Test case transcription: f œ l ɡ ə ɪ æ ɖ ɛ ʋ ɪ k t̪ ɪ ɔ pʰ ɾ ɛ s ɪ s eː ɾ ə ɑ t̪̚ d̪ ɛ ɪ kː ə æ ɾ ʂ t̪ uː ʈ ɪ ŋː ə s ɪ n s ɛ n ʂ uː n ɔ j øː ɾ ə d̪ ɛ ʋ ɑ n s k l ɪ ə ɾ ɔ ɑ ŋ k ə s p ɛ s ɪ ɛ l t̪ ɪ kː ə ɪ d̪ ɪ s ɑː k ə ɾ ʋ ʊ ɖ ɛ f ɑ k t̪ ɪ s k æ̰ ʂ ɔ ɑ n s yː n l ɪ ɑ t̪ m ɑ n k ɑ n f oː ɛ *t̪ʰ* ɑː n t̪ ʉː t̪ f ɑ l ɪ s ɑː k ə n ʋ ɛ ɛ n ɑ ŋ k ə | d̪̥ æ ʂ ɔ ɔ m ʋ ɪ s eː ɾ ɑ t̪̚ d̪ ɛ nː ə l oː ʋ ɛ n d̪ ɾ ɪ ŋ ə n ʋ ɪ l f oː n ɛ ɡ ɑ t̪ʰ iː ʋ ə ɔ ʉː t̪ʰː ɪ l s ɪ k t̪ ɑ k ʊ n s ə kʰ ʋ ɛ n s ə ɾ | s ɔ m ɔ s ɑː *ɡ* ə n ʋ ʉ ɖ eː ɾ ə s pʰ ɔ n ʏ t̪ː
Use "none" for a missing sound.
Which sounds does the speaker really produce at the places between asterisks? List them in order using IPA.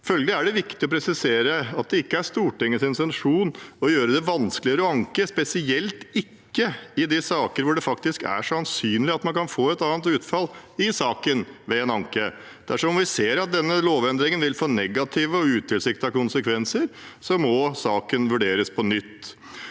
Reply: t̪, k

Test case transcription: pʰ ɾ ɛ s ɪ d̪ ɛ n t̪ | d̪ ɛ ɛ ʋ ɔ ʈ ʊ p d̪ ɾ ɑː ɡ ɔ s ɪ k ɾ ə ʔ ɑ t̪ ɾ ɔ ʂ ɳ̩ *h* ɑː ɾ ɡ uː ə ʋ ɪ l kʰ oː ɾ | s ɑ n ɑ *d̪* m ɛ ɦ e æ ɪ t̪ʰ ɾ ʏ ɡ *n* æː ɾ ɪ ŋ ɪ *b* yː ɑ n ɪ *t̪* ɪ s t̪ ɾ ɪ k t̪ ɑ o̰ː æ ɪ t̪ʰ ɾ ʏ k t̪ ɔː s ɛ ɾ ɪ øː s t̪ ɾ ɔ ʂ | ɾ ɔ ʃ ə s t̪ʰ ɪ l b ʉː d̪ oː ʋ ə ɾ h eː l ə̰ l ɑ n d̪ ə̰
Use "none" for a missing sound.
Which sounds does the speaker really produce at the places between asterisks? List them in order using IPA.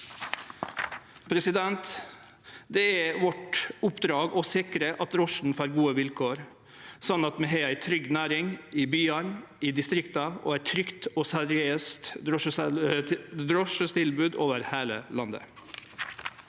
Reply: f, t̪, n, b, d̪

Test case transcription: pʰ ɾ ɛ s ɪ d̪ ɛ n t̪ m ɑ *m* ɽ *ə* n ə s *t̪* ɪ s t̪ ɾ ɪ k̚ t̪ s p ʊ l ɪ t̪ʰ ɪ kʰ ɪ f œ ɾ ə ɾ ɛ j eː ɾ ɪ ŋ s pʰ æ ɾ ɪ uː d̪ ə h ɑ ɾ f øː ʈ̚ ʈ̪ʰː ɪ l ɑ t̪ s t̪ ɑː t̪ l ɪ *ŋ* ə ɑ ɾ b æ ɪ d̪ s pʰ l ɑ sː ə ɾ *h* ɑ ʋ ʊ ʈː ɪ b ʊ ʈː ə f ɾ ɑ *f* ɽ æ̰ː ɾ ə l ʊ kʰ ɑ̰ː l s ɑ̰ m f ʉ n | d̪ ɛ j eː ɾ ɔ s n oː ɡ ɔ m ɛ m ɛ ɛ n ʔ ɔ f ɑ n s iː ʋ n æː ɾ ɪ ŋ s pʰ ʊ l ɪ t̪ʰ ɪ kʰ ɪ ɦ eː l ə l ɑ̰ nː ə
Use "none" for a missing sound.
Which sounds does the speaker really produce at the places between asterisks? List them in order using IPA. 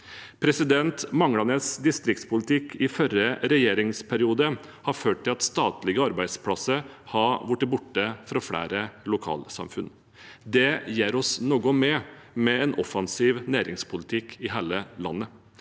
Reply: ŋ, ɑ, d̪, ɡ, h, f

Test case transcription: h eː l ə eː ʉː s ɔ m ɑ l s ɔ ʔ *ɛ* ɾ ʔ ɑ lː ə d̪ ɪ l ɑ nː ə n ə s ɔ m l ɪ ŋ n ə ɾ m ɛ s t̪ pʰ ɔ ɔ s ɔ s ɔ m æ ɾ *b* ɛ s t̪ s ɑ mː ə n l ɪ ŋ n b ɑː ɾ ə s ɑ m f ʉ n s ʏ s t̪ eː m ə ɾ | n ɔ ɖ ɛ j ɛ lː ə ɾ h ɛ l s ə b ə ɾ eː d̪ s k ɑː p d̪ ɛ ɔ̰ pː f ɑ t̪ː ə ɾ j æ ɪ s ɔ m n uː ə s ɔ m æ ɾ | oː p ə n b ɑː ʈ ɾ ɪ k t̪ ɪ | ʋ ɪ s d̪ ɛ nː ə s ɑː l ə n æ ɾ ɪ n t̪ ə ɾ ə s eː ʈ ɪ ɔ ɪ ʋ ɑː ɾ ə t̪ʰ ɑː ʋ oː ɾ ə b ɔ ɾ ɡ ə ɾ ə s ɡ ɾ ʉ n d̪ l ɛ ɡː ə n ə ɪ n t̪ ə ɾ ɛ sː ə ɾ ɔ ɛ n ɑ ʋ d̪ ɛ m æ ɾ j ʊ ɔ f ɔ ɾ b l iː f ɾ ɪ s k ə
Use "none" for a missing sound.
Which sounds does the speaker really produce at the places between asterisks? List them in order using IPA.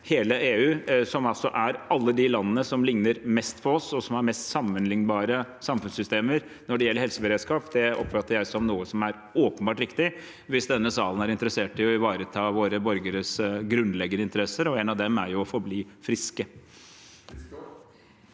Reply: æ, m

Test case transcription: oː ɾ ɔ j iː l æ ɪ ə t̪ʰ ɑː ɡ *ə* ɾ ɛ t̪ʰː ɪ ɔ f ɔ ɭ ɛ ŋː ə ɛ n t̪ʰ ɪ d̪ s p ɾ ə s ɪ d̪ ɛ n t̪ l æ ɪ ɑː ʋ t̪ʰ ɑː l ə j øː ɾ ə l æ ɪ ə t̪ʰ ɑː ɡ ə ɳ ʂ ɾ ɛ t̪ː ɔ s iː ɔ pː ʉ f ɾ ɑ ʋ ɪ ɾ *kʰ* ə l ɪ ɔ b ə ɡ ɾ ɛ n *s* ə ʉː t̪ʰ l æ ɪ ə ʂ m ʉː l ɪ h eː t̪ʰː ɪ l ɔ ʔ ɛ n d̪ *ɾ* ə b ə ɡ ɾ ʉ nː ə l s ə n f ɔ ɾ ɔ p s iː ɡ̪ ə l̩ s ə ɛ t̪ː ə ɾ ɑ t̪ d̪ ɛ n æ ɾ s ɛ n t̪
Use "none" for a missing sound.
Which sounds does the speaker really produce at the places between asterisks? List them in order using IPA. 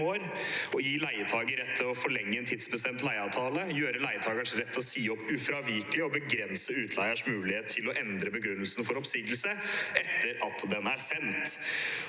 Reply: ə, k, s, ɾ

